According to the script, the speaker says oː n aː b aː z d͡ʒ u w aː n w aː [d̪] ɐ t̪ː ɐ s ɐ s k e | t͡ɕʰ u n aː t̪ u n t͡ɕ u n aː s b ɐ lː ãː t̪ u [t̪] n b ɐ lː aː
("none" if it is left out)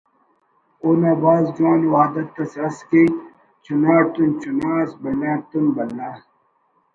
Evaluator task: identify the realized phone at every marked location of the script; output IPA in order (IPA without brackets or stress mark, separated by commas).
d̪, none